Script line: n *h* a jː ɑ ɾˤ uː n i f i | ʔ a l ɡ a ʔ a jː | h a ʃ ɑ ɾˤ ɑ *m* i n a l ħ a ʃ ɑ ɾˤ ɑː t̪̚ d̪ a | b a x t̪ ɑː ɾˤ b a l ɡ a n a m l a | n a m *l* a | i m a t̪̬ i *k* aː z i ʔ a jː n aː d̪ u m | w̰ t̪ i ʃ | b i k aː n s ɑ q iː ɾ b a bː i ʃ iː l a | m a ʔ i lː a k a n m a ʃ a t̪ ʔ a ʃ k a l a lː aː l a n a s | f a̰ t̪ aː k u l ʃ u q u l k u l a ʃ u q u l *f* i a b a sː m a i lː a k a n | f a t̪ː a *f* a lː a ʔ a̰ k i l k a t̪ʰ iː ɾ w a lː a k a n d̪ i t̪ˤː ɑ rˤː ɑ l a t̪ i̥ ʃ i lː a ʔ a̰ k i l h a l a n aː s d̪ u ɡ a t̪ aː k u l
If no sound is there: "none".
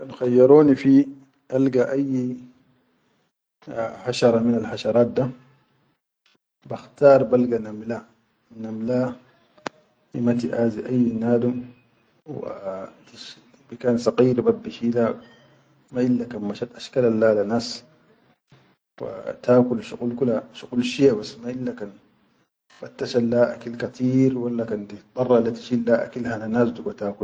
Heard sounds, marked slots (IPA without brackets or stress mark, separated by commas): x, m, l, ʔ, ʃ, ʃ